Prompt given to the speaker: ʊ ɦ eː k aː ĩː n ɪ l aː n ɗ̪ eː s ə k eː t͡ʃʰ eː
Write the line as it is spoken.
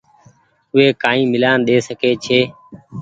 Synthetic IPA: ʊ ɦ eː k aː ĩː m ɪ l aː n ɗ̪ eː s ə k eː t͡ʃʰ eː